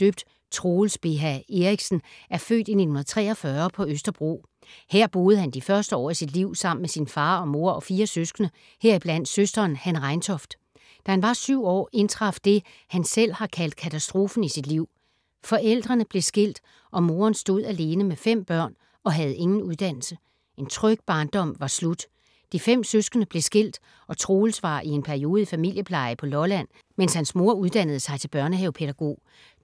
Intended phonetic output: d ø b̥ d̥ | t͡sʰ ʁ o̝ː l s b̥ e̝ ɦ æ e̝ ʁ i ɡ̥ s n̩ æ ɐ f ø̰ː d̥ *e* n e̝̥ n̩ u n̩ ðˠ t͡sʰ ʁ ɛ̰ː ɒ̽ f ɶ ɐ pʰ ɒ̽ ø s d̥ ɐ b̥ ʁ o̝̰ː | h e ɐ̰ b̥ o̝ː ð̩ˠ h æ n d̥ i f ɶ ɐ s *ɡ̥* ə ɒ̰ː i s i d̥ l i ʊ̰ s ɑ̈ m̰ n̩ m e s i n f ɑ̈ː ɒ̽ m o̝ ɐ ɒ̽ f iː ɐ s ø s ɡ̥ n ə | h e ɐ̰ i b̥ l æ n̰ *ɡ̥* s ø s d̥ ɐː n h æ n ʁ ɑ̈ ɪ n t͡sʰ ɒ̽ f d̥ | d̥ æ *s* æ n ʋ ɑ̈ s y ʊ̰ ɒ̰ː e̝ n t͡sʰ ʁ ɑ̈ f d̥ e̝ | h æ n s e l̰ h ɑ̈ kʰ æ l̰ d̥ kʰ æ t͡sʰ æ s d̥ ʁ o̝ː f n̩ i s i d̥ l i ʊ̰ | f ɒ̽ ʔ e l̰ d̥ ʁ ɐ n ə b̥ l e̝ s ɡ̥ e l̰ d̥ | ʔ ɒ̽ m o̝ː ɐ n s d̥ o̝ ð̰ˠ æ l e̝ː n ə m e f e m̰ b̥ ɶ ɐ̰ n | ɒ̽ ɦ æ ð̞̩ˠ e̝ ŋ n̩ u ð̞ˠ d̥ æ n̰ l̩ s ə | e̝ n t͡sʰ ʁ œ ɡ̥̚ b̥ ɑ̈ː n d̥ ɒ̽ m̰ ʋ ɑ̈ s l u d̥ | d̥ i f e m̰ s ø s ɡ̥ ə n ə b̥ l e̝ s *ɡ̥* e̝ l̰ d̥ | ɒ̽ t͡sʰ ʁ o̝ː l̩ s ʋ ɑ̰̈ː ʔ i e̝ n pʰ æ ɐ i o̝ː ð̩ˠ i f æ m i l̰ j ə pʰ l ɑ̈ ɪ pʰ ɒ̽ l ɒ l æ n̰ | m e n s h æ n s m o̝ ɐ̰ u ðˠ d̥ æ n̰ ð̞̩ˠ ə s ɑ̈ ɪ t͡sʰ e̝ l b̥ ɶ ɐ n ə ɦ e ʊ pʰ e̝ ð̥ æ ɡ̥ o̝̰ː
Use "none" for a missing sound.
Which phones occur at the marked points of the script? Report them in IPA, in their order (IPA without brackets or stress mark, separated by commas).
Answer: i, d̥, d̥, h, ɡ̥